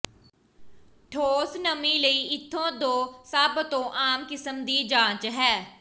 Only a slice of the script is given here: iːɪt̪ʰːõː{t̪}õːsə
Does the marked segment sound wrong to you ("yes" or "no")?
yes